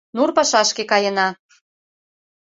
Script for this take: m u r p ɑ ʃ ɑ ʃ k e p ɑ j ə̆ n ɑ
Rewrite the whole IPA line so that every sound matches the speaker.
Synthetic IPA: n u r p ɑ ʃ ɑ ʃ k e k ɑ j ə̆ n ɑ